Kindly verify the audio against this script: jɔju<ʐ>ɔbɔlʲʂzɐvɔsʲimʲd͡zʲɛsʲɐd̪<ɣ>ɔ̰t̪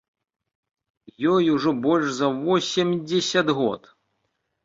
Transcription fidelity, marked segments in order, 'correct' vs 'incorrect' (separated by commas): correct, correct